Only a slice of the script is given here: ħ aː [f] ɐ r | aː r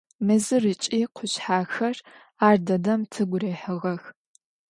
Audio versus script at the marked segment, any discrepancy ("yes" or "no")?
yes